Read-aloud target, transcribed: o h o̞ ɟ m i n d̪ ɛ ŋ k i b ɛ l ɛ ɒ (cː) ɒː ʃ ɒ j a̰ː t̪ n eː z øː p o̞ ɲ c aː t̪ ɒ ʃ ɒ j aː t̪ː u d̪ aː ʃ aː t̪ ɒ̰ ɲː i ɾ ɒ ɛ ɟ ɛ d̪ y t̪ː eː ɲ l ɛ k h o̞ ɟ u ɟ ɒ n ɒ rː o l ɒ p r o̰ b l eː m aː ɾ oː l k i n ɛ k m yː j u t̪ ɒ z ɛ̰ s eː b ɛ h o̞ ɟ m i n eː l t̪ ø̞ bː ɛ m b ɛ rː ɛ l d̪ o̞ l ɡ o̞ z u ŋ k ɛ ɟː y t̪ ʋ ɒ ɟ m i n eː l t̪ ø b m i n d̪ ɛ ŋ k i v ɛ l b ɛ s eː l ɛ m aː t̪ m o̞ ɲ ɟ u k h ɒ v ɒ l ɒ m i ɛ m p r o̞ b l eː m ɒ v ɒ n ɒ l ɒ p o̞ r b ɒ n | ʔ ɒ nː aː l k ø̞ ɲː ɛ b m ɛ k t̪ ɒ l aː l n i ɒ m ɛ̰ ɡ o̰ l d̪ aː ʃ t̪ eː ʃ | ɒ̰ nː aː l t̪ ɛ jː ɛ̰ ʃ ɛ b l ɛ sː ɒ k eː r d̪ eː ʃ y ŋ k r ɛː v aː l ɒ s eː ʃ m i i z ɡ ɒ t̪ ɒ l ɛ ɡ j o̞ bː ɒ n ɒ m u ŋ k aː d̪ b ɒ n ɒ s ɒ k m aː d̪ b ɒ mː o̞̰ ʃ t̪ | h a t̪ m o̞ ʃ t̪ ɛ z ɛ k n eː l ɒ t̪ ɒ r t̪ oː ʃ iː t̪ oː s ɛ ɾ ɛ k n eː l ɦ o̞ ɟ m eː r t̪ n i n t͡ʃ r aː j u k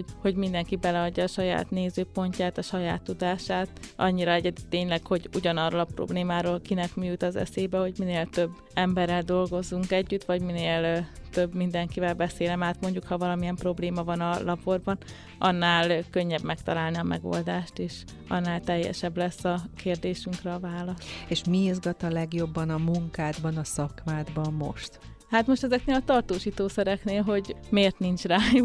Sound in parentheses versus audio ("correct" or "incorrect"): incorrect